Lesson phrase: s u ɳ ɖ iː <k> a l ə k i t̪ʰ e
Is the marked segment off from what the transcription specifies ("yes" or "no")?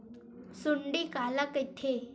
no